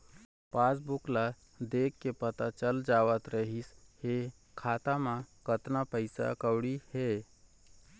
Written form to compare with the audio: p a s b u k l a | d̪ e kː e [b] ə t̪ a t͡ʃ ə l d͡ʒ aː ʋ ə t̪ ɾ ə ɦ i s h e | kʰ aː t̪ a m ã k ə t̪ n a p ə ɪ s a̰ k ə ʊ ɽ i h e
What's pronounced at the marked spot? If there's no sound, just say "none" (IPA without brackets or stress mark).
p